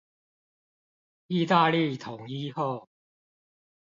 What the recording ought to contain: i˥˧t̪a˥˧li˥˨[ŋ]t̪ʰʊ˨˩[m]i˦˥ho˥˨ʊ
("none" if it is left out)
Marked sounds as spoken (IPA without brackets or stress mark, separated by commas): none, ŋ